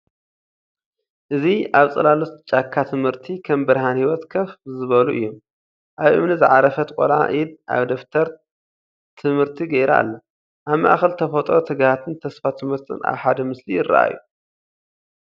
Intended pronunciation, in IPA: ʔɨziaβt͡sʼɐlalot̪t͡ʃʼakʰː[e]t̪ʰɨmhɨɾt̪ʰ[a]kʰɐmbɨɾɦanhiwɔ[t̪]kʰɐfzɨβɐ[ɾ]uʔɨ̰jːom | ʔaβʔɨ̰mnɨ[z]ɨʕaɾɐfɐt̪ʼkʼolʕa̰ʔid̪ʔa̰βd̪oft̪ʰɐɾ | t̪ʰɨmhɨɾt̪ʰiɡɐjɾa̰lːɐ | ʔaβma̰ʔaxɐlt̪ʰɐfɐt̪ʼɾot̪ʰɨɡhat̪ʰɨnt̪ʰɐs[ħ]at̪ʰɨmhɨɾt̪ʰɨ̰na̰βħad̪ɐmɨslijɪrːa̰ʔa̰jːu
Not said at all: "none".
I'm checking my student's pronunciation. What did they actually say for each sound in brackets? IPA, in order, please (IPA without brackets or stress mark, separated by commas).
a, i, t̪, l, z, f